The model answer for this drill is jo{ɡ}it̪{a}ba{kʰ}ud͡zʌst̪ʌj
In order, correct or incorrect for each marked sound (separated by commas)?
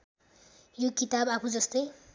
incorrect, correct, incorrect